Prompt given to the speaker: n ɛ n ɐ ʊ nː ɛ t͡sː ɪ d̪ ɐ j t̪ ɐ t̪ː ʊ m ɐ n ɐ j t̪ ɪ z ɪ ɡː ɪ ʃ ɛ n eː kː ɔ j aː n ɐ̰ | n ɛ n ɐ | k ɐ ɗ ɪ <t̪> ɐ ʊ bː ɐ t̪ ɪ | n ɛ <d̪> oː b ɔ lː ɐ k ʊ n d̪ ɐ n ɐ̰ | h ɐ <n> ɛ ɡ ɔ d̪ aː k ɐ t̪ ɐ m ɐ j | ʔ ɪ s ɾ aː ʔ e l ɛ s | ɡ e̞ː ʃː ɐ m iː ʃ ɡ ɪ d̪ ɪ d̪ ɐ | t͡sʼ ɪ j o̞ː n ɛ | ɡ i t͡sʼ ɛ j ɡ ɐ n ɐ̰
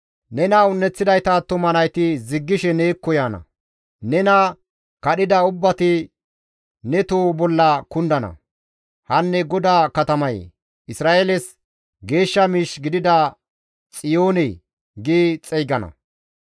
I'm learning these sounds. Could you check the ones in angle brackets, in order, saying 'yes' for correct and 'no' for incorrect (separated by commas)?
no, no, no